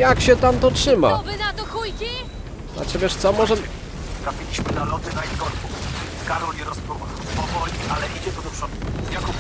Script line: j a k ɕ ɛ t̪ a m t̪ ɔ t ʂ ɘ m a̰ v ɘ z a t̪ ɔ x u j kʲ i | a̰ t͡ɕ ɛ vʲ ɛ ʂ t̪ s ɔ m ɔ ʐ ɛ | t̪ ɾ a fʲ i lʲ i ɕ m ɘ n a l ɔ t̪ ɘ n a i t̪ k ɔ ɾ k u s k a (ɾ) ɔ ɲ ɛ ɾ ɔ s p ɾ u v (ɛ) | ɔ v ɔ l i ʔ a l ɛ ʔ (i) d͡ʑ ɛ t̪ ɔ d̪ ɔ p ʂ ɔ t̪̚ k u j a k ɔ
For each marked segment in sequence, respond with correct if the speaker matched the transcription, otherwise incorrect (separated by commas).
correct, incorrect, correct